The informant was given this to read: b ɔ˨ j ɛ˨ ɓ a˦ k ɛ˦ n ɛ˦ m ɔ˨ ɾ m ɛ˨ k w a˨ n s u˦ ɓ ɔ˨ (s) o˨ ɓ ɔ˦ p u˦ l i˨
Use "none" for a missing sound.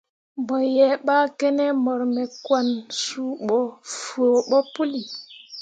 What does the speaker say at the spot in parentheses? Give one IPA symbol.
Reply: f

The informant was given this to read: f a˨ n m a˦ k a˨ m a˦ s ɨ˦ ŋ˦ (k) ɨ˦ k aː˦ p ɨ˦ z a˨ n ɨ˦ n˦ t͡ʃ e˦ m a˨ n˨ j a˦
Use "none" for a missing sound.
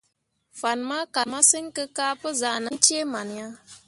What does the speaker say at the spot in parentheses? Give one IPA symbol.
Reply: k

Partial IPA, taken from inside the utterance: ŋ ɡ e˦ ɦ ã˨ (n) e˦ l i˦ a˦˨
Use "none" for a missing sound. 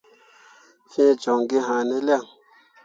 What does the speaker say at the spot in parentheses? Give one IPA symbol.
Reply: n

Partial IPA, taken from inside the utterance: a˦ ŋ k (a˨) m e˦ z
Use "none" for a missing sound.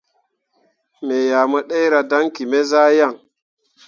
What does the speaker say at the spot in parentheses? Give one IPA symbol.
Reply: i˨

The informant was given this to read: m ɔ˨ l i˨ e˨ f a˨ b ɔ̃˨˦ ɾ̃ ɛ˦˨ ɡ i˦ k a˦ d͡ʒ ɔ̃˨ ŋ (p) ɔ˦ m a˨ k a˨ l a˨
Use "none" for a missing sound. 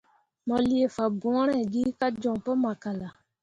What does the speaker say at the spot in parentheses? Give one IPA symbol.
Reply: p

